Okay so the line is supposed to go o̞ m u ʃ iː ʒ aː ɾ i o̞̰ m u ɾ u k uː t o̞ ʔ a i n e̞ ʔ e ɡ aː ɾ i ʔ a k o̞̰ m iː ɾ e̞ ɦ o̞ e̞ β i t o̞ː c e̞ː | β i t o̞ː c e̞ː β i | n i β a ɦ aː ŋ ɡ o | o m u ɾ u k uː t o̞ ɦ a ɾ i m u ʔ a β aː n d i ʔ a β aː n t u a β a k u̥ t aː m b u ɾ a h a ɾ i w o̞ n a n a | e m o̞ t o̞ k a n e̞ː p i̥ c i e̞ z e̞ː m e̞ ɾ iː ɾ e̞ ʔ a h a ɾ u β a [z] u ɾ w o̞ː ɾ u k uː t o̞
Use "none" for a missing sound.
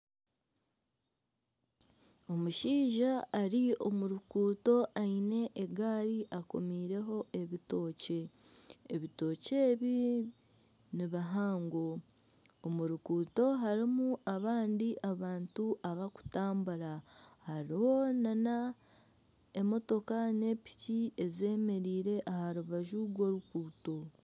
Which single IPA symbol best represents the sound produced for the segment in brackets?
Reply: ʒ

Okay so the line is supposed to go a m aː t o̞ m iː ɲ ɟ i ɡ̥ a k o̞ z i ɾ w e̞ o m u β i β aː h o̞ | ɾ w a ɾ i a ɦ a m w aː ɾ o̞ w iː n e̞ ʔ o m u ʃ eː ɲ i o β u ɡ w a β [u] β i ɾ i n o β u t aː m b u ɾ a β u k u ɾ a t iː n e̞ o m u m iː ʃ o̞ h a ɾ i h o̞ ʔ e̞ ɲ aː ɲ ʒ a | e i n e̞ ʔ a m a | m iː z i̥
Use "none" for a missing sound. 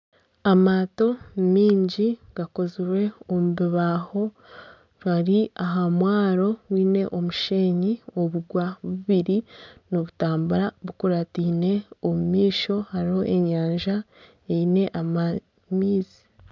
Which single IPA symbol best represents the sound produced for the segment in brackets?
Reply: u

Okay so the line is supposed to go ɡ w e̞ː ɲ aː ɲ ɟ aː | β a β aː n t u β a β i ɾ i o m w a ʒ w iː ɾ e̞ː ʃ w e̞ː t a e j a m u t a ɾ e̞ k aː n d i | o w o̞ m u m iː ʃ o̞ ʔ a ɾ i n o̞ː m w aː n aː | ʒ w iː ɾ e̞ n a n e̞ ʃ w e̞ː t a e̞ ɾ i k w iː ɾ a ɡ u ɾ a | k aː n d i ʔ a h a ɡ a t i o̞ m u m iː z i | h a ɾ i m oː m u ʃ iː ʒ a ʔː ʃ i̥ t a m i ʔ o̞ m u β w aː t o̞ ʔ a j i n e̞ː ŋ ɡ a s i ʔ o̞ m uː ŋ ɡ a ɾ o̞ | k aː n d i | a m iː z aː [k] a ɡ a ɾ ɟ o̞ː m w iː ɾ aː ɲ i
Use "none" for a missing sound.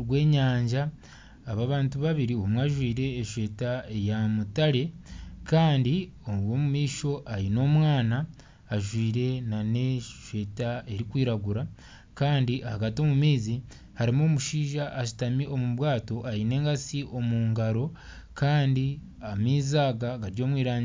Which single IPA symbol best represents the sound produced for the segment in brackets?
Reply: ɡ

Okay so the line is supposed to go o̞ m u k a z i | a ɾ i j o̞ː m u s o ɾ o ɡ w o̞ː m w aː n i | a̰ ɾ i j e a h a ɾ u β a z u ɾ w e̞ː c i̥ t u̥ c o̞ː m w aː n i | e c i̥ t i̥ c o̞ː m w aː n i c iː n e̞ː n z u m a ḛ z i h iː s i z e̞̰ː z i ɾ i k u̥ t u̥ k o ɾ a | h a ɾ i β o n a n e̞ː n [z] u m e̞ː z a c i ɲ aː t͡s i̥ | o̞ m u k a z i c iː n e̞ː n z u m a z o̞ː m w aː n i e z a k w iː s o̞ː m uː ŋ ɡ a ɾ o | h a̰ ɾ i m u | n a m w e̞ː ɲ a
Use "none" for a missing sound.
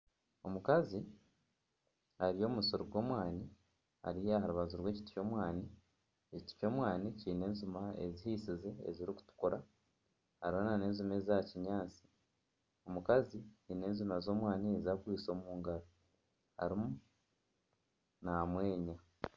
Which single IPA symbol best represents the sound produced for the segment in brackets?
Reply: z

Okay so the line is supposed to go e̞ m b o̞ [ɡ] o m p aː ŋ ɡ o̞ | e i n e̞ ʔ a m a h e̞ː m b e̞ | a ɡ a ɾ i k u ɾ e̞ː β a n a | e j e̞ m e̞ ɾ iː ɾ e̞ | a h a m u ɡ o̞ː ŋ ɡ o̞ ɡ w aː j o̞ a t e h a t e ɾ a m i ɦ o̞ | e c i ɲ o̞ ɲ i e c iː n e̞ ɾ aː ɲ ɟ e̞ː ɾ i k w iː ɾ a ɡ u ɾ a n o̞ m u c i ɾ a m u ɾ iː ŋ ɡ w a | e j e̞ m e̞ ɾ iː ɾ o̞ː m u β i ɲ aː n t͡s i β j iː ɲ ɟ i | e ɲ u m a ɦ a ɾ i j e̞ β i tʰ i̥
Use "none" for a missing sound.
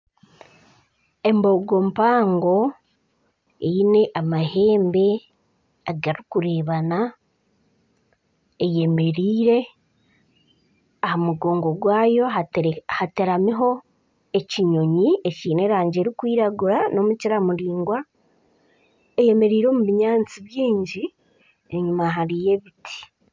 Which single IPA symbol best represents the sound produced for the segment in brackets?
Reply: ɡ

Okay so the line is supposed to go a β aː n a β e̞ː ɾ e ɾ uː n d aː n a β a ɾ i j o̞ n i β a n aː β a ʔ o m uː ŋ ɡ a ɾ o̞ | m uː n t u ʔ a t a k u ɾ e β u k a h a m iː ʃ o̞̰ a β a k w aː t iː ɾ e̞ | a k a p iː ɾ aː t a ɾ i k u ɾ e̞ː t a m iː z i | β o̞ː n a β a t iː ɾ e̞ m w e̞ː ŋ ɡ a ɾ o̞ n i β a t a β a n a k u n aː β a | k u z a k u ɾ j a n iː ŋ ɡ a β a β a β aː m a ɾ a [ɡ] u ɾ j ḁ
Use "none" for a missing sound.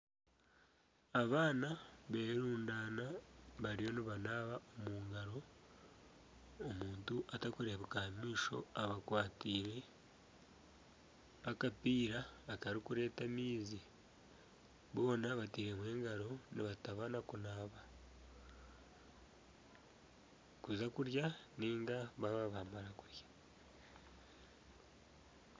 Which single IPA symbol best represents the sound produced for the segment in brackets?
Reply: k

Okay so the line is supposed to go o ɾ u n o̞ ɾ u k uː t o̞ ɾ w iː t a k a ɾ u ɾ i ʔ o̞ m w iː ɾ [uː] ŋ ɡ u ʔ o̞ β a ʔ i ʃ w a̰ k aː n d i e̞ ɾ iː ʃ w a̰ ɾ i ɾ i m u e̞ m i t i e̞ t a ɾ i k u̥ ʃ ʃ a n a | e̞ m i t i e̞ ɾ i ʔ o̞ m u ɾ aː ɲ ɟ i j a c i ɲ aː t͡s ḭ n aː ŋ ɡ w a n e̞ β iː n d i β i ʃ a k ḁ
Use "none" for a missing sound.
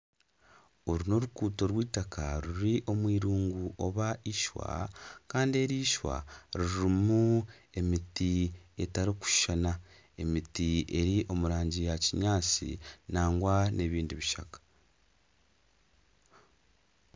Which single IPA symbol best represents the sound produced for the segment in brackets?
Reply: uː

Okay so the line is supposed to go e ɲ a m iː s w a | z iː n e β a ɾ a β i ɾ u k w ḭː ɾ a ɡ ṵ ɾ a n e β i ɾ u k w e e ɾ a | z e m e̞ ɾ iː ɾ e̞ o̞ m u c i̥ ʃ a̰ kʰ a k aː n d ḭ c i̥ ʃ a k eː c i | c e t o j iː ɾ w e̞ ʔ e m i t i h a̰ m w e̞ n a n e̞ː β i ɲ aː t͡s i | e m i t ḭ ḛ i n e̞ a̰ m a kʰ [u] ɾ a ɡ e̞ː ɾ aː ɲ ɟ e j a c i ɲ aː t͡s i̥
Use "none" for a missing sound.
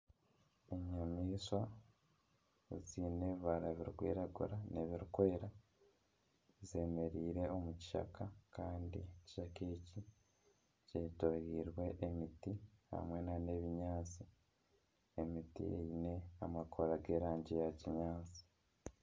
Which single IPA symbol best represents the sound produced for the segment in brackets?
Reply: o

